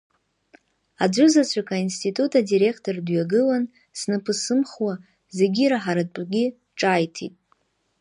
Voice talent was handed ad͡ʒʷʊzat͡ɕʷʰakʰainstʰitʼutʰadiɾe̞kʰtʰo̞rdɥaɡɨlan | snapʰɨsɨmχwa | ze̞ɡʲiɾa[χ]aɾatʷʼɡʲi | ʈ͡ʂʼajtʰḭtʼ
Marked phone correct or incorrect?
incorrect